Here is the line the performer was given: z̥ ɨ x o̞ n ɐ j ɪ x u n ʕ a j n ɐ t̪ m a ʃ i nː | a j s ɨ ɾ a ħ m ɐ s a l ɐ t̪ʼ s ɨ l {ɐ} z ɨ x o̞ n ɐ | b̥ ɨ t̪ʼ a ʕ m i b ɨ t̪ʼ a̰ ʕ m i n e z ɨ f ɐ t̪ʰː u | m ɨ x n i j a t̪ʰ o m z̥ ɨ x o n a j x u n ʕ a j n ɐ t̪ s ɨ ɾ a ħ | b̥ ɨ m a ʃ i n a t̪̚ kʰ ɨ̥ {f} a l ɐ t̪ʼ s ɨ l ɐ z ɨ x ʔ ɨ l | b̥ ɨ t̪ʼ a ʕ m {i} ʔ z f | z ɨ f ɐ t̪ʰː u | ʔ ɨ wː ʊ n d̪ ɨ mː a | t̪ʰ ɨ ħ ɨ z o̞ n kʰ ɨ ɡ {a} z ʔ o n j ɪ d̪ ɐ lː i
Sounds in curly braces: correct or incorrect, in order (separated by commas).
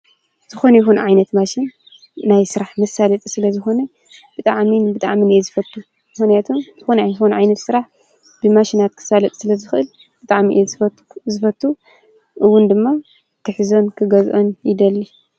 correct, incorrect, correct, incorrect